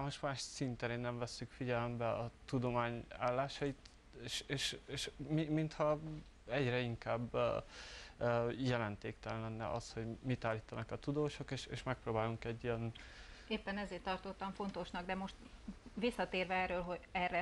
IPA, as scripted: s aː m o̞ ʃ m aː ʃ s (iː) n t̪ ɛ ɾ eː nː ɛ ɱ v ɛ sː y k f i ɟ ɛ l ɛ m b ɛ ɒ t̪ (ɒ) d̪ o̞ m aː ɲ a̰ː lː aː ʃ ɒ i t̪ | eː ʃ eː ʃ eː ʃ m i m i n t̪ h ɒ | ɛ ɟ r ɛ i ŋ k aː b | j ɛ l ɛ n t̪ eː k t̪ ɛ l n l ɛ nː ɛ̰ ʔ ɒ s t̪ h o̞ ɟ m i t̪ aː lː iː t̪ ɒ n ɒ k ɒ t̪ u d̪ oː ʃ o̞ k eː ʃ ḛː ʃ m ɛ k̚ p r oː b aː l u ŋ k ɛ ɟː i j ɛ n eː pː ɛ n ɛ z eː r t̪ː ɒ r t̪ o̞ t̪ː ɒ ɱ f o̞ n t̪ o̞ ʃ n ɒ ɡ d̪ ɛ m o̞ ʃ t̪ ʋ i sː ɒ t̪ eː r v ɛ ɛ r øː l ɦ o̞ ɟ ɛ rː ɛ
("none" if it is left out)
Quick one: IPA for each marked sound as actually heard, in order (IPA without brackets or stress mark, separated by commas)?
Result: i, u